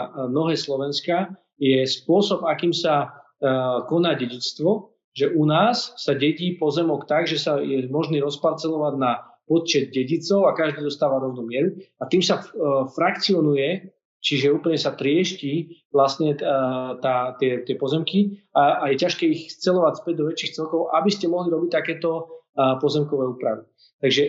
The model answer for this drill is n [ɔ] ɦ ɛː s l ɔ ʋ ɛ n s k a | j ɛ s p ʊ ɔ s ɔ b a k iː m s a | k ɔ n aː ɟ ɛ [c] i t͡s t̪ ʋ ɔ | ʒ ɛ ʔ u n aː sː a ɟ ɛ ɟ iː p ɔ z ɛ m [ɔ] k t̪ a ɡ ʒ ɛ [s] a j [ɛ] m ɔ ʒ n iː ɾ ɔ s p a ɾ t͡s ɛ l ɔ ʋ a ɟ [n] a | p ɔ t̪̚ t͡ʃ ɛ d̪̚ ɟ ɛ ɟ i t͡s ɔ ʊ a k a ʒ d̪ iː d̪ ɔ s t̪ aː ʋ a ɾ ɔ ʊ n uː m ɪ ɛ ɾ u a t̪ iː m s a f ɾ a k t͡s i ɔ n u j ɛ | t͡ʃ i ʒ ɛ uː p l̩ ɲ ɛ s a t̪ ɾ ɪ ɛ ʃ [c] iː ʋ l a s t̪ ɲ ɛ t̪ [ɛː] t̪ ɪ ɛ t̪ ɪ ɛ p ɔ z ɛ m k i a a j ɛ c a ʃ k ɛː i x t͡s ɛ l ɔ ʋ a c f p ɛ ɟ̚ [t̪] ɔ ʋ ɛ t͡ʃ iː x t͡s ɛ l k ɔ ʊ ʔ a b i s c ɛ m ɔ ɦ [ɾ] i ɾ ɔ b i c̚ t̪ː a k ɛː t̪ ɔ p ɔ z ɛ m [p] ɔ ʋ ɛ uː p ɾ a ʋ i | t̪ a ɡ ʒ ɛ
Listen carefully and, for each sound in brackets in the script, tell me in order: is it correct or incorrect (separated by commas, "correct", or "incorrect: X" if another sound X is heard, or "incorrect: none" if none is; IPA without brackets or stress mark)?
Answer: correct, incorrect: ɟ, correct, correct, correct, correct, correct, incorrect: aː, incorrect: d̪, incorrect: l, incorrect: k